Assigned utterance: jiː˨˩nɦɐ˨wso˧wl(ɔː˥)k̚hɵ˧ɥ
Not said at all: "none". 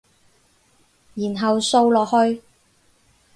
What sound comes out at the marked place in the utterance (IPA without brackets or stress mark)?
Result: ɔː˨